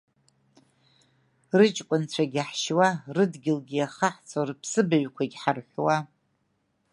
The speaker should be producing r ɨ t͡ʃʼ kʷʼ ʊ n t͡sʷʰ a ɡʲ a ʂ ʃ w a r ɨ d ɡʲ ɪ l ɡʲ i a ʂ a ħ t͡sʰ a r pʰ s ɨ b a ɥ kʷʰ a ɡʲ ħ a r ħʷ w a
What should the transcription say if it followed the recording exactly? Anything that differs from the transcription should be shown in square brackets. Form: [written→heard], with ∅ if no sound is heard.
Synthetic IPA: r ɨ t͡ʃʼ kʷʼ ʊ n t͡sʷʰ a ɡʲ a [ʂ→ħ] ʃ w a r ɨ d ɡʲ ɪ l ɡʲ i a [ʂ→χ] a ħ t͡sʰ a r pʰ s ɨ b a ɥ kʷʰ a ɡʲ ħ a r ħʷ w a